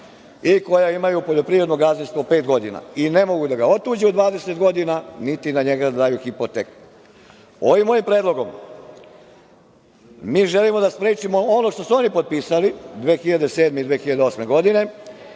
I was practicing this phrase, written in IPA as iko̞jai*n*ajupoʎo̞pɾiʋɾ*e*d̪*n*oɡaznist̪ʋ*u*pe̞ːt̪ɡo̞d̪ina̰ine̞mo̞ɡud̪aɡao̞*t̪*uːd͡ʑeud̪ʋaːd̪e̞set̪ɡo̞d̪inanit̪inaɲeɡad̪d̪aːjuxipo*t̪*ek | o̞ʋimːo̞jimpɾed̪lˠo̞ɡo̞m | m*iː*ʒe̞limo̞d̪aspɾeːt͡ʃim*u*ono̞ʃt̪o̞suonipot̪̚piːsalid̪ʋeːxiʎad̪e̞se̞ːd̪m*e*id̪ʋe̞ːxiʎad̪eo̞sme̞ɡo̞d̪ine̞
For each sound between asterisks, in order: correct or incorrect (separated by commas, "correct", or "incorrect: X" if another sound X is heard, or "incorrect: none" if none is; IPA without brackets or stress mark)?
incorrect: m, correct, correct, incorrect: o, correct, correct, correct, incorrect: o, correct